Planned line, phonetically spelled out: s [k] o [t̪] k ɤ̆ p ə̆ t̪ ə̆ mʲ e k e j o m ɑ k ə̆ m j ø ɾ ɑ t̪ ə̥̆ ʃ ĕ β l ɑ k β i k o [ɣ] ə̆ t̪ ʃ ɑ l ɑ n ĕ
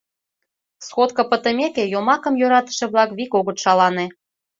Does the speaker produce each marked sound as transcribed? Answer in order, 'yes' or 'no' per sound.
no, yes, yes

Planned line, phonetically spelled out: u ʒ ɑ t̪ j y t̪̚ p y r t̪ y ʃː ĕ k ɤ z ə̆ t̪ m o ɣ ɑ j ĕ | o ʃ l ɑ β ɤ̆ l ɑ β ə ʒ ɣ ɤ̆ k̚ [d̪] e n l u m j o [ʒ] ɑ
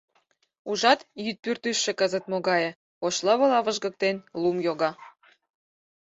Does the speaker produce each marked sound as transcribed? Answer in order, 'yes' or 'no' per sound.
no, no

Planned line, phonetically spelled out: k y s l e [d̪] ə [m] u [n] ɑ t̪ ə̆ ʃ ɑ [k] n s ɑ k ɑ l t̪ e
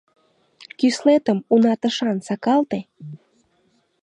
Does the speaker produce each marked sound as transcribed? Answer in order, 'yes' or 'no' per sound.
no, yes, yes, no

